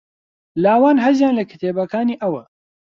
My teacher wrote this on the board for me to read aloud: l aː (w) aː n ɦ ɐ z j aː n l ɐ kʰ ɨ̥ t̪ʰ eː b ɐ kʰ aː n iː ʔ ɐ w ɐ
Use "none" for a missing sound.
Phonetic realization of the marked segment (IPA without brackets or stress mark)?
w